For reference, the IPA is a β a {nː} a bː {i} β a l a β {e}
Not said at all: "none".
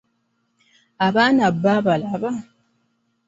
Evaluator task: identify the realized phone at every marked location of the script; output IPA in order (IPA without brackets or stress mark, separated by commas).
n, a, a